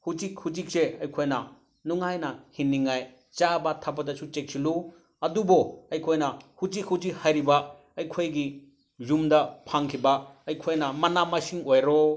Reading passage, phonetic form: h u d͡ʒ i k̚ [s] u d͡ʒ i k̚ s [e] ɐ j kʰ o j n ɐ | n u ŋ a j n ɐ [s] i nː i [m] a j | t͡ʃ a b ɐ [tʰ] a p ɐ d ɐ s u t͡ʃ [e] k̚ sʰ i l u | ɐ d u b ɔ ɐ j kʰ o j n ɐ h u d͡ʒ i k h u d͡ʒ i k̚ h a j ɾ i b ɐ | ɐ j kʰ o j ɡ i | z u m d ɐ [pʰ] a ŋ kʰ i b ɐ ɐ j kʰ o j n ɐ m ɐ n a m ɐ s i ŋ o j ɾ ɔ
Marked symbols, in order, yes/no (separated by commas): no, yes, no, no, yes, yes, yes